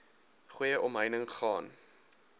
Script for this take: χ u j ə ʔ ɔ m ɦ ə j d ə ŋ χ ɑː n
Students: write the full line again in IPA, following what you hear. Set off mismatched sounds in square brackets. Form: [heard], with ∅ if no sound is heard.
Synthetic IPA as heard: χ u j ə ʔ ɔ m ɦ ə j [n] ə ŋ χ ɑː n